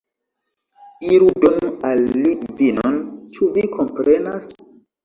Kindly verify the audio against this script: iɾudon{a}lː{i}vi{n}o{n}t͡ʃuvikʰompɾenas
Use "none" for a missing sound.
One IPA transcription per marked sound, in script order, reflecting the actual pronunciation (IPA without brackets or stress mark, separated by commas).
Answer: a, i, n, n